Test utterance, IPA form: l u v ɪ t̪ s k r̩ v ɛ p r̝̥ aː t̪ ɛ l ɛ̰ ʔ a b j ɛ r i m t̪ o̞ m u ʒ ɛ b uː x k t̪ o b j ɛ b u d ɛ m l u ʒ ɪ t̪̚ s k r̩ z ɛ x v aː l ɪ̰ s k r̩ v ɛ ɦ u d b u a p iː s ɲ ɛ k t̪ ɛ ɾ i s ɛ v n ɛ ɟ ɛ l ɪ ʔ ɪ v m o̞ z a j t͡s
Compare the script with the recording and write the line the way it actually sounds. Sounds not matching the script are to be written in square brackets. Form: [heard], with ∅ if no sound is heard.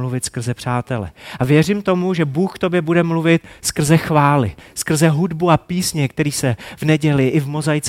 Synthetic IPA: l u v ɪ t̪ s k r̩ [z] ɛ p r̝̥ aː t̪ ɛ l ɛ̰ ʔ a [v] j ɛ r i m t̪ o̞ m u ʒ ɛ b uː x k t̪ o b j ɛ b u d ɛ m l u [v] ɪ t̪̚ s k r̩ z ɛ x v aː l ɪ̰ s k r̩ [z] ɛ ɦ u d b u a p iː s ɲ ɛ k t̪ ɛ ɾ [iː] s ɛ v n ɛ ɟ ɛ l ɪ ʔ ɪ v m o̞ z a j t͡s